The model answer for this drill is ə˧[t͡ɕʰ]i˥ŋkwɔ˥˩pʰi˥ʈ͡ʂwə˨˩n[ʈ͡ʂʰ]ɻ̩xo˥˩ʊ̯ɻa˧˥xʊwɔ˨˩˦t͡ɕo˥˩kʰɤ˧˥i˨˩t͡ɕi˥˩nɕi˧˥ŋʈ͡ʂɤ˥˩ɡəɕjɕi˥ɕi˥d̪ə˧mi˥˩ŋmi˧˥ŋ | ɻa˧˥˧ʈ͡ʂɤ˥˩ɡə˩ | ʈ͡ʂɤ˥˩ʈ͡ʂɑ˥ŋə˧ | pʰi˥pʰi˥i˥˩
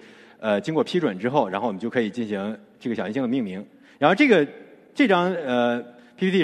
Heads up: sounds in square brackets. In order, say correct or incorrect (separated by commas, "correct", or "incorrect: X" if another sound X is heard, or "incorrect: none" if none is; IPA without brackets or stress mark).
incorrect: t͡ɕ, incorrect: ʈ͡ʂ